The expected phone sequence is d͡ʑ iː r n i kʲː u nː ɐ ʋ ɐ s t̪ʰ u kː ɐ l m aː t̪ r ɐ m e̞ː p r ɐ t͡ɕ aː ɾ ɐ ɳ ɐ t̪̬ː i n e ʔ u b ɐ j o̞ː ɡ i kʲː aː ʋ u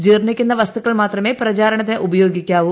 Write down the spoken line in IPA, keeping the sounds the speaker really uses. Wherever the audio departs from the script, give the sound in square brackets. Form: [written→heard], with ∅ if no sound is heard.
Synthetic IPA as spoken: d͡ʑ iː r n i kʲː u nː ɐ ʋ ɐ s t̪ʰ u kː ɐ [l→ɭ] m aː t̪ r ɐ m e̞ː p r ɐ t͡ɕ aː ɾ ɐ ɳ ɐ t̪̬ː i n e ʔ u b ɐ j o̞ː ɡ i kʲː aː ʋ u